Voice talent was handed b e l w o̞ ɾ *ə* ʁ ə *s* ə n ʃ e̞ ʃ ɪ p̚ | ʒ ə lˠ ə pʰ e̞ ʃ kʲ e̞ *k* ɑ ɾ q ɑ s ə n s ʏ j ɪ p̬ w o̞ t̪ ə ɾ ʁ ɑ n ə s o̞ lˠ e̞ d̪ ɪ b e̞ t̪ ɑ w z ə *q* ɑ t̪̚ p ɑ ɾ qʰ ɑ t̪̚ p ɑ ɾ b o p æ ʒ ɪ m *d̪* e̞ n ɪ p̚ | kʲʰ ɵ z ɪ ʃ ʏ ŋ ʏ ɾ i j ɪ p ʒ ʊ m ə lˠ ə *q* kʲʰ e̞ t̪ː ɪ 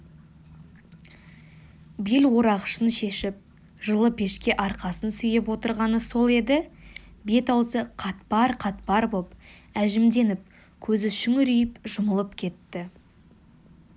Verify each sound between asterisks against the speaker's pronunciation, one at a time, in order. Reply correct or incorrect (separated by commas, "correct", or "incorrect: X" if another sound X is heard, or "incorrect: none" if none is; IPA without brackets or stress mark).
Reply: incorrect: ɑ, incorrect: ʃ, incorrect: ʔ, incorrect: qʰ, correct, incorrect: p